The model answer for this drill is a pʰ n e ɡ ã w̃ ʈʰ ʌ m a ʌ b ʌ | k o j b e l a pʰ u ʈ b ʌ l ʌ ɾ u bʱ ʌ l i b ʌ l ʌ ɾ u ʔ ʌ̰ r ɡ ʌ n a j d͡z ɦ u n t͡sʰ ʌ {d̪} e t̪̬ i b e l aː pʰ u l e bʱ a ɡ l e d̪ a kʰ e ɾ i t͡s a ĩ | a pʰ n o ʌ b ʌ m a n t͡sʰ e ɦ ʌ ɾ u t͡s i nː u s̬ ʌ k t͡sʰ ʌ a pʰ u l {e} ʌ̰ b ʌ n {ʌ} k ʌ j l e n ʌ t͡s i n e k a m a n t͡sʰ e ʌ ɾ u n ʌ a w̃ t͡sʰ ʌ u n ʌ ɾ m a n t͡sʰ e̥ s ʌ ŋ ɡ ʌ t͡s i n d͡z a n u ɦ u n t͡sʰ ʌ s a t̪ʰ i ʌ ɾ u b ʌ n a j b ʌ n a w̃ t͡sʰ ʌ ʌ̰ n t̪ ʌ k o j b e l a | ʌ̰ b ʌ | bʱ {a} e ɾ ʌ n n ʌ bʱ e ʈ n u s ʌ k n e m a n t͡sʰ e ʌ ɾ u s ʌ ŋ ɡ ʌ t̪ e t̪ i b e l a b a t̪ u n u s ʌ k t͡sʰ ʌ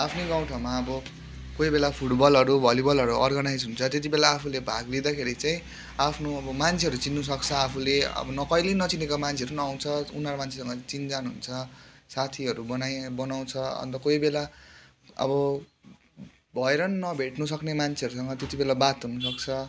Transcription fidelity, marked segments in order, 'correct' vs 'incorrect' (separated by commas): incorrect, correct, correct, incorrect